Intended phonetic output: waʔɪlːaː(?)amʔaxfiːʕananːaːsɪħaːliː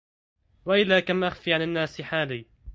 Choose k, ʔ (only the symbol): k